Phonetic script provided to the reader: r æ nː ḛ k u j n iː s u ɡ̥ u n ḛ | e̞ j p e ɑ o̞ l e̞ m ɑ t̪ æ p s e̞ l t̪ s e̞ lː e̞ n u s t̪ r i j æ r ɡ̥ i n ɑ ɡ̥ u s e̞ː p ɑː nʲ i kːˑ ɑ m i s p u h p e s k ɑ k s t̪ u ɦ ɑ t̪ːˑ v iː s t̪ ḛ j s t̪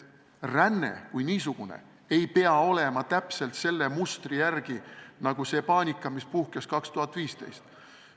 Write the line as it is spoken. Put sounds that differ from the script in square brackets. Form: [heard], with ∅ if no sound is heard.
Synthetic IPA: r æ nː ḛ k u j n iː s u ɡ̥ u n ḛ | e̞ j p e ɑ o̞ l e̞ m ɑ t̪ æ p s e̞ l t̪ s e̞ lː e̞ [m] u s t̪ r i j æ r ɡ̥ i n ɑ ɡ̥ u s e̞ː p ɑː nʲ i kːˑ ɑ m i s p u h [k] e s k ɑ k s t̪ u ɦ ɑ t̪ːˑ v iː s t̪ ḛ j s t̪